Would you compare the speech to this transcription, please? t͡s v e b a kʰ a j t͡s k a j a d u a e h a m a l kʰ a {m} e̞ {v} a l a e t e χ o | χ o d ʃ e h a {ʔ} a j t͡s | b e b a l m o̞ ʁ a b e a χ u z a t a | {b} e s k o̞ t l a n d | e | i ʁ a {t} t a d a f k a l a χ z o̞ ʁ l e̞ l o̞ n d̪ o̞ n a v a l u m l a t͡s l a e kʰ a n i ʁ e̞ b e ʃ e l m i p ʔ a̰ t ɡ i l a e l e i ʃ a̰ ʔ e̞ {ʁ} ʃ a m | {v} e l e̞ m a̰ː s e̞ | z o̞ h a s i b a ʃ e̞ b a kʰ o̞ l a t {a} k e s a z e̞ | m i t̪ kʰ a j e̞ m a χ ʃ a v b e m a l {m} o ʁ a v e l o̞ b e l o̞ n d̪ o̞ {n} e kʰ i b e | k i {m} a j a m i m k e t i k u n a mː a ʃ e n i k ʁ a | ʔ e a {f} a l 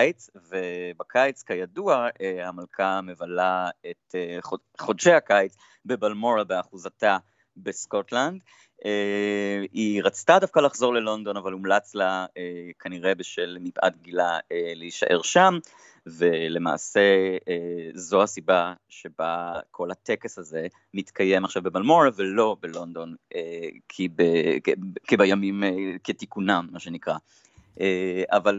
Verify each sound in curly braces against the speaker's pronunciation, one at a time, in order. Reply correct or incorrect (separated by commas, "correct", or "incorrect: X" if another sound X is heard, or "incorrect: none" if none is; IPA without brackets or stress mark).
correct, correct, incorrect: k, correct, incorrect: t͡s, correct, correct, incorrect: e, correct, correct, incorrect: b, incorrect: v